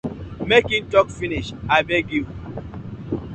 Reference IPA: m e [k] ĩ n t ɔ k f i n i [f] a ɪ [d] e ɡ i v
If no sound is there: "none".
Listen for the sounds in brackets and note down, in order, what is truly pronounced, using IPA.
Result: k, ʃ, b

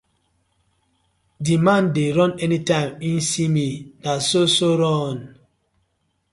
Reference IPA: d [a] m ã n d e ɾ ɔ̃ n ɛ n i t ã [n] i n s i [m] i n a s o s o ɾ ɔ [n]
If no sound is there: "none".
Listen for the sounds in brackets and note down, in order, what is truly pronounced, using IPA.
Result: i, m, m, n

